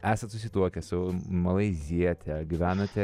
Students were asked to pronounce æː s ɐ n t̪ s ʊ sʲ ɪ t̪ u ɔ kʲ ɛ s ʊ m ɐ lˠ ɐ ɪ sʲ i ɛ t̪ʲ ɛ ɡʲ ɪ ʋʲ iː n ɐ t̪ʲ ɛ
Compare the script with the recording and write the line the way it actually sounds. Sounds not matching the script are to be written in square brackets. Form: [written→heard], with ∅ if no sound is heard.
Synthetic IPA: æː s ɐ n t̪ s ʊ sʲ ɪ t̪ u ɔ kʲ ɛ s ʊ m ɐ lˠ ɐ ɪ [sʲ→zʲ] i ɛ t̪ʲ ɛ ɡʲ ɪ ʋʲ [iː→æː] n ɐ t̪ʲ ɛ